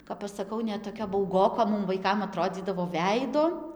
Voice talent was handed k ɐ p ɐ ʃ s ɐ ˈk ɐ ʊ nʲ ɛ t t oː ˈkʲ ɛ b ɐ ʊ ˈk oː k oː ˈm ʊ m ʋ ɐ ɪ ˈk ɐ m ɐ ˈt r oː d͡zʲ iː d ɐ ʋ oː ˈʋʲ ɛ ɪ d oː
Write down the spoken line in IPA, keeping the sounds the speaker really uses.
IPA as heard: k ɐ p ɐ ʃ s ɐ ˈk ɐ ʊ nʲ ɛ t t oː ˈkʲ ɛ b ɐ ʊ ˈɡ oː k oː ˈm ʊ m ʋ ɐ ɪ ˈk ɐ m ɐ ˈt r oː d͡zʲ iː d ɐ ʋ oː ˈʋʲ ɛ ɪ d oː